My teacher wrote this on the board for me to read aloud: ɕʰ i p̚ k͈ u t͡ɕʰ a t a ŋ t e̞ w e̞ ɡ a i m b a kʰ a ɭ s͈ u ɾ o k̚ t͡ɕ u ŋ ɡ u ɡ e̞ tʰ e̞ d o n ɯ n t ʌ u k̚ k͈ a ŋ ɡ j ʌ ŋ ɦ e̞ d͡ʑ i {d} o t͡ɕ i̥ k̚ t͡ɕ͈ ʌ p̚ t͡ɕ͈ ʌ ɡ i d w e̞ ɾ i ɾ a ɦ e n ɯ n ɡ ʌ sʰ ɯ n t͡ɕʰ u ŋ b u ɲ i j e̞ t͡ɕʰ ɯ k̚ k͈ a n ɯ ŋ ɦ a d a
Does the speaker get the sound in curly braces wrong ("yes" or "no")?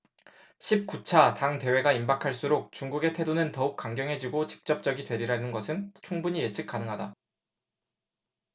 yes